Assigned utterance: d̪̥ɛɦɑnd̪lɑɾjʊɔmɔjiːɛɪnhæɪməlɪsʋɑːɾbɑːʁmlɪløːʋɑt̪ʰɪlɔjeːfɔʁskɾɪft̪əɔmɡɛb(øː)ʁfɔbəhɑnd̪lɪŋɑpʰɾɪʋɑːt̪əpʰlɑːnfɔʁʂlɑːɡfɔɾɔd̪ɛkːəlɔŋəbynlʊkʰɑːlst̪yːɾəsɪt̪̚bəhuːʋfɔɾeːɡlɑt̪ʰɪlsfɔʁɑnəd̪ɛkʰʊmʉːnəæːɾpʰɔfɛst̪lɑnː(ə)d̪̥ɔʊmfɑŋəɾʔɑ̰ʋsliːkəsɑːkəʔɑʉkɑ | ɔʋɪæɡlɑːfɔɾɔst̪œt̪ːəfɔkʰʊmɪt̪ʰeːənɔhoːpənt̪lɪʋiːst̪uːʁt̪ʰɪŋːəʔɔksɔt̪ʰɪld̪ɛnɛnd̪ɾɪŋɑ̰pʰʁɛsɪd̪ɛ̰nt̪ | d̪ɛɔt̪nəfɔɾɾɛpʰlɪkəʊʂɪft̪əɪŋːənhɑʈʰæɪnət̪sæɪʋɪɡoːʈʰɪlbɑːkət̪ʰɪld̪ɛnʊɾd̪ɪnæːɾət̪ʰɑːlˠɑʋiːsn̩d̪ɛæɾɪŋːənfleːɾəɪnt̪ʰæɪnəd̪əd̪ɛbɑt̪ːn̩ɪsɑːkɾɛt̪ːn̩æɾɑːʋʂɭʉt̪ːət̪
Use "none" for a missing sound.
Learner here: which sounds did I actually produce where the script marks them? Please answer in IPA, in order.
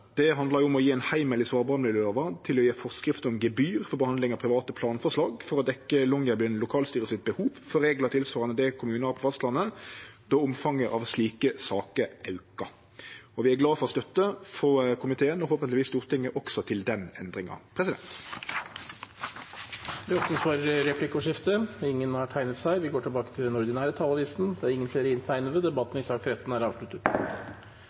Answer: yː, ə

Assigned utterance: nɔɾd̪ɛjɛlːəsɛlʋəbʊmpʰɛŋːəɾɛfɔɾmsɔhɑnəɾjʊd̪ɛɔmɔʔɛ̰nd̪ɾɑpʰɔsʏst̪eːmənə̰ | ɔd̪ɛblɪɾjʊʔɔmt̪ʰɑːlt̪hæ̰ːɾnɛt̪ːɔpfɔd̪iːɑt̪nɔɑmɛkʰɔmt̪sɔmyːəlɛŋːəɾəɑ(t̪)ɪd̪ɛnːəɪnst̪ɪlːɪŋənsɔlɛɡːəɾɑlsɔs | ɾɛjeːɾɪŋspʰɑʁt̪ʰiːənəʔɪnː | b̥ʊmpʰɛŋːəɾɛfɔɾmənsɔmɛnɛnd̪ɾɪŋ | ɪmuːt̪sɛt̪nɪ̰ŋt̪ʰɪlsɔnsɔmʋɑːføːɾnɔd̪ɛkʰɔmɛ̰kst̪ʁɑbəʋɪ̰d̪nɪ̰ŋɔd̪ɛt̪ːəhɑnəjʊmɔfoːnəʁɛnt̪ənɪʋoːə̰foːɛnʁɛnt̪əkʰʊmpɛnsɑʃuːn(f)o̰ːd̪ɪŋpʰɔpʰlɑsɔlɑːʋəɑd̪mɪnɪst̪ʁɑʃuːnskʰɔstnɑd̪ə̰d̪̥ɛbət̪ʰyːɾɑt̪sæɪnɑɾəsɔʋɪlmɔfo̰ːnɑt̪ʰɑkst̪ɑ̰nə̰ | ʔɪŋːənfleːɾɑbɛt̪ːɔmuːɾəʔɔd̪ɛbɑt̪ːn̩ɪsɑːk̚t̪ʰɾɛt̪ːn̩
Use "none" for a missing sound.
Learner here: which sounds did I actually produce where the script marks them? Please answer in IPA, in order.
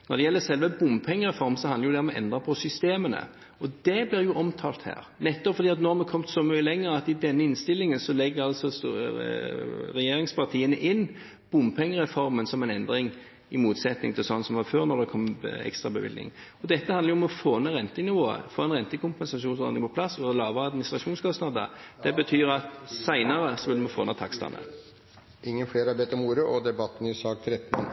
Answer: t̪, s

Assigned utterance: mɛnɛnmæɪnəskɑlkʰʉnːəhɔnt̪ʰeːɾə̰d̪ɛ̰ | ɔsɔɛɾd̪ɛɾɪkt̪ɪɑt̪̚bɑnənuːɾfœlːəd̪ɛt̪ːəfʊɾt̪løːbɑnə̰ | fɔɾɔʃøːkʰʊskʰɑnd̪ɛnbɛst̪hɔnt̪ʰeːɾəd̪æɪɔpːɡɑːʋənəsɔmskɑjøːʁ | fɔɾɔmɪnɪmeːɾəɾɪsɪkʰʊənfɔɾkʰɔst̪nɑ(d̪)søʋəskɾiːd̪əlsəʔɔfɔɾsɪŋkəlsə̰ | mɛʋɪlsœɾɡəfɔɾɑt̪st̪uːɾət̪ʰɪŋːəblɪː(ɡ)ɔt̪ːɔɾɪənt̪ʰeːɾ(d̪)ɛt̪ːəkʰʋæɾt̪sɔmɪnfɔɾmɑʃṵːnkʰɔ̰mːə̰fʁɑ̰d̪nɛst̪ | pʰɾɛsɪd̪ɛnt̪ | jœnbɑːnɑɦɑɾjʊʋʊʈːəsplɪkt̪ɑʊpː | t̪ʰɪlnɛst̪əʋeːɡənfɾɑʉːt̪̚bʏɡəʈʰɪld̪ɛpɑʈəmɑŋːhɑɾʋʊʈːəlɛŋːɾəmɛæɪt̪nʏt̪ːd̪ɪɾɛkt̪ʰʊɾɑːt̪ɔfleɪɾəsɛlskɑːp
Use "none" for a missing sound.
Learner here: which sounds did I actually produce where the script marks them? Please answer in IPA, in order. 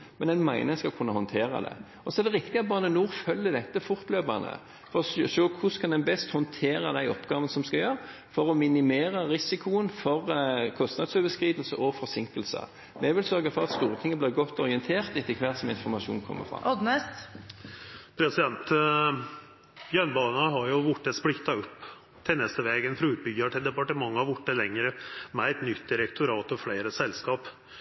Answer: d̪, ɡ, t̪

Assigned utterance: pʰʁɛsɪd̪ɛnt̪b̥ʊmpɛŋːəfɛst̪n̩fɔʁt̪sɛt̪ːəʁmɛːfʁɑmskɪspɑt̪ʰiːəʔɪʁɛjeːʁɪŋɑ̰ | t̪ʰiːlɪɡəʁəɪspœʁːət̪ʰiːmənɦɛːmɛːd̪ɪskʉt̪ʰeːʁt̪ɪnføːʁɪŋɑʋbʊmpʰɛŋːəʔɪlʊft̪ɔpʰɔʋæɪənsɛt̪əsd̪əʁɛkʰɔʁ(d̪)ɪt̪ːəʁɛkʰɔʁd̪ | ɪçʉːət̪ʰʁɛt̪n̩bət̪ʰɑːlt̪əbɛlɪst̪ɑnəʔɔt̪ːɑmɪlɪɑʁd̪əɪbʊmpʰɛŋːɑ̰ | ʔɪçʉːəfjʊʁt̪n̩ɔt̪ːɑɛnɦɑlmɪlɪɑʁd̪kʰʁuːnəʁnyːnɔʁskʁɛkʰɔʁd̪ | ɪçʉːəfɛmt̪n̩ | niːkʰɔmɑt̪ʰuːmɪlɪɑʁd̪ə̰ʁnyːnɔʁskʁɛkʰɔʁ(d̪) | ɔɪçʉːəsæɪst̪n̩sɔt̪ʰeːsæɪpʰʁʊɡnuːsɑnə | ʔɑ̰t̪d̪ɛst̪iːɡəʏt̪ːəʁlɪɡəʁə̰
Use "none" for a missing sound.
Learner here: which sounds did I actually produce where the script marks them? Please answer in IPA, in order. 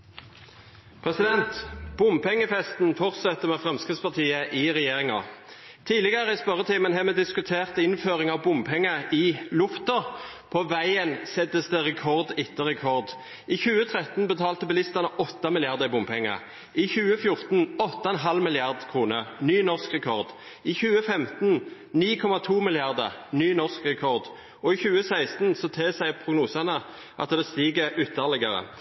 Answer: d̪, d̪

